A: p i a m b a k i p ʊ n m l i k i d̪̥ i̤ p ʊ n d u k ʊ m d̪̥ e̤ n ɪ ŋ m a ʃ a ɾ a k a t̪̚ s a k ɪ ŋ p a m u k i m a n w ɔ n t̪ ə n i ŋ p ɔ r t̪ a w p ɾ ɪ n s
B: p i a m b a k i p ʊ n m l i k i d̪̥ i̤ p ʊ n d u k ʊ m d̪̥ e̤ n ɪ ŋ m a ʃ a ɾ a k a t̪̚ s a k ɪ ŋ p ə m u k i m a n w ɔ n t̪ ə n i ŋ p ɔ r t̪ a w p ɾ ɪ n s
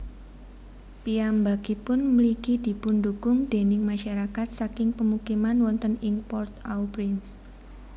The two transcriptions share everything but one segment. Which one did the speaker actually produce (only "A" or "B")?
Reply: B